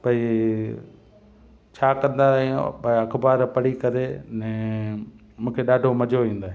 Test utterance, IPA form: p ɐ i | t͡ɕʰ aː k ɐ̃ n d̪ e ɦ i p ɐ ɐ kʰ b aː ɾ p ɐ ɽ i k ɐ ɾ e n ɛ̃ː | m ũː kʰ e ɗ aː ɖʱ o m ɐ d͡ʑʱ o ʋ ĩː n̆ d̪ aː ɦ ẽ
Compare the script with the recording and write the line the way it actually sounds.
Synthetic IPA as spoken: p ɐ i | t͡ɕʰ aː k ɐ̃ n d̪ a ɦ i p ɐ ɐ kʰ b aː ɾ p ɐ ɽ i k ɐ ɾ e n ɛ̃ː | m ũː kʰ e ɗ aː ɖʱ o m ɐ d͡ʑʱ o ʋ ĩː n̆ d̪ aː ɦ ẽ